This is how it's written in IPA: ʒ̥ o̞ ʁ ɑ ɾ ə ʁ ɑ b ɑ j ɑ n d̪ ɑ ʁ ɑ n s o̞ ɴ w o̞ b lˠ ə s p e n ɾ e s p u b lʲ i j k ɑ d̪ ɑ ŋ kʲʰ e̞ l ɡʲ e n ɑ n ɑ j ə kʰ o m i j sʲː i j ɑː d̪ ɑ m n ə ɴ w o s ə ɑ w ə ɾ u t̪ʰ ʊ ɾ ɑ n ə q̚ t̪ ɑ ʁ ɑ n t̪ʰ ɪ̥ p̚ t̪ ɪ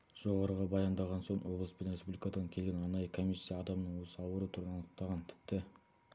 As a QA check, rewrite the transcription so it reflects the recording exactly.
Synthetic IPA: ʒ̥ o̞ ʁ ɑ ɾ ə ʁ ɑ b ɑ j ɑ n d̪ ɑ ʁ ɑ n s o̞ ɴ w o̞ b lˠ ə s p e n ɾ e s p u b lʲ i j k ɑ d̪ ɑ ŋ kʲʰ e̞ l ɡʲ e n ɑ n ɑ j ə kʰ o m i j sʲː i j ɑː d̪ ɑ m n ə ɴ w o s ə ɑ w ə ɾ u t̪ʰ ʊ ɾ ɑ n ə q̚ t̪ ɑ ʁ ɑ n t̪ʰ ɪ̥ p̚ t̪ ɪ